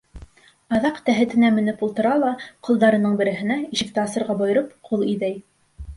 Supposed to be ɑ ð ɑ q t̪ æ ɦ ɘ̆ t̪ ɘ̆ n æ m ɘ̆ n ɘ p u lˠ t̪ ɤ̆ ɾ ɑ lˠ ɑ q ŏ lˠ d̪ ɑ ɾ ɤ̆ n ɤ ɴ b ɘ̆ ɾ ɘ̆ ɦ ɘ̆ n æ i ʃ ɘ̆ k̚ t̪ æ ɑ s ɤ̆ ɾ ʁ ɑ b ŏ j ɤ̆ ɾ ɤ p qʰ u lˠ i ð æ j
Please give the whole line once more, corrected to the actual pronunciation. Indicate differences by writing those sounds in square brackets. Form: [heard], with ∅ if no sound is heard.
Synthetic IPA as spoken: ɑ ð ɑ q t̪ æ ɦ ɘ̆ t̪ ɘ̆ n æ m ɘ̆ n ɘ p u lˠ t̪ ɤ̆ ɾ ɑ lˠ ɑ q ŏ lˠ d̪ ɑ ɾ ɤ̆ n ɤ ɴ b ɘ̆ ɾ ɘ̆ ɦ ɘ̆ n æ i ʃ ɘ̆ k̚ t̪ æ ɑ s ɤ̆ ɾ ʁ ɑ b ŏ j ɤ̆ ɾ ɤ p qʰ u lˠ i ð æ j